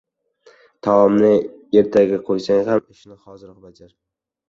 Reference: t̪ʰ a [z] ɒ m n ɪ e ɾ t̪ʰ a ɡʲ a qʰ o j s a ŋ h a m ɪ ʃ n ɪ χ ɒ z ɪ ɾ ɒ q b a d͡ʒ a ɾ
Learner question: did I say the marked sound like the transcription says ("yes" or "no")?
no